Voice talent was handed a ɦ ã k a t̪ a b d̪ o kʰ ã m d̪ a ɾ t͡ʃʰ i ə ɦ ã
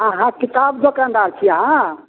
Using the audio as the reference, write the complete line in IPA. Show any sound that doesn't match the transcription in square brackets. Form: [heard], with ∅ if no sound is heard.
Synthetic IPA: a ɦ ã k [i] t̪ a b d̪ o [k] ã [n] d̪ a ɾ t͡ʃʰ i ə ɦ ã